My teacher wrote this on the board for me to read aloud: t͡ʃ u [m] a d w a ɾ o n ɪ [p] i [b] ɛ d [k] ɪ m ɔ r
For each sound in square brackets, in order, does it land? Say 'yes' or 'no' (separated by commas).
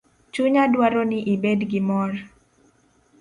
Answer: no, no, yes, no